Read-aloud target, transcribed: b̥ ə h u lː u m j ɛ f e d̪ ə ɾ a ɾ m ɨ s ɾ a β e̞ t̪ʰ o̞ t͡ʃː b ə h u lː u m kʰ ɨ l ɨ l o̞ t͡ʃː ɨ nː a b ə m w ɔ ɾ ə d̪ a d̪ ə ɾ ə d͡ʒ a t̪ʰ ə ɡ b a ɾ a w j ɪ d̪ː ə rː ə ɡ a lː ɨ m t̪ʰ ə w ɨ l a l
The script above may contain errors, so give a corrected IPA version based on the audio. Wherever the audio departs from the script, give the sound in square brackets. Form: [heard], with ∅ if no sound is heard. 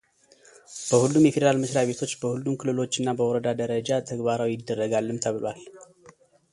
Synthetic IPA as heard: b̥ ə h u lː u m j ɛ f e d̪ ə ɾ a [l] m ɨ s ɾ a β e̞ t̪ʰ o̞ t͡ʃː b ə h u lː u m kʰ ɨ l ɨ l o̞ t͡ʃː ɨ nː a b ə [∅] w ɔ ɾ ə d̪ a d̪ ə ɾ ə d͡ʒ a t̪ʰ ə ɡ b a ɾ a w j ɪ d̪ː ə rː ə ɡ a lː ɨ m t̪ʰ ə [β] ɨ l a l